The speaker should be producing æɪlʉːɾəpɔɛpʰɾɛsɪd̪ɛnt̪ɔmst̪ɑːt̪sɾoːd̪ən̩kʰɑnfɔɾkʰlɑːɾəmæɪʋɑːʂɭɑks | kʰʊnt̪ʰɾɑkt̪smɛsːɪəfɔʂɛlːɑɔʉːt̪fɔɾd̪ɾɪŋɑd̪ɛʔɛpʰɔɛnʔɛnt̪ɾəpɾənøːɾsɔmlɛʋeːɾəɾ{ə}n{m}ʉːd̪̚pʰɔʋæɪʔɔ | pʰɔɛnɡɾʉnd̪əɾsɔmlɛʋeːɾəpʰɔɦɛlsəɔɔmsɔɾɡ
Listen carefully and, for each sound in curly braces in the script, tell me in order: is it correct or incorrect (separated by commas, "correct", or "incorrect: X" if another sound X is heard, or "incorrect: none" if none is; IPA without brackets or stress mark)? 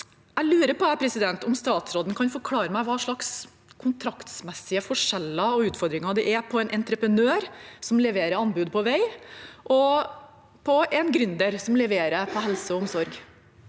incorrect: ɑ, incorrect: b